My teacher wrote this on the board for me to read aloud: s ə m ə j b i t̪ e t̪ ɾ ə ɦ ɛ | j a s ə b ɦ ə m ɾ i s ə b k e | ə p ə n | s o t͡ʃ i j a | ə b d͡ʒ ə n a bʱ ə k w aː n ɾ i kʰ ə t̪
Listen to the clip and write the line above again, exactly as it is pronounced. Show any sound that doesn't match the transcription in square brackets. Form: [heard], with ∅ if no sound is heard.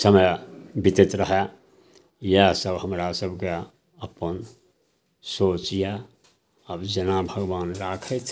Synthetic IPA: s ə m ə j b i t̪ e t̪ ɾ ə ɦ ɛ | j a s ə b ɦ ə m ɾ [a] s ə b k e | ə p ə n | s o t͡ʃ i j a | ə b d͡ʒ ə n a bʱ ə [ɡ] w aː n ɾ [a] kʰ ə t̪